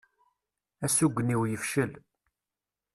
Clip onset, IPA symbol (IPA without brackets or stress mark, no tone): æ